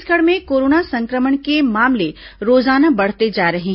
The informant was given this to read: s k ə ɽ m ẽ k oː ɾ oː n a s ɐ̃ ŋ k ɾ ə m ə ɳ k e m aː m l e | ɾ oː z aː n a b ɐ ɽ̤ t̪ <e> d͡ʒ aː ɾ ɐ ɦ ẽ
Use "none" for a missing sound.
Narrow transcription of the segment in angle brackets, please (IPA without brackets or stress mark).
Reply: e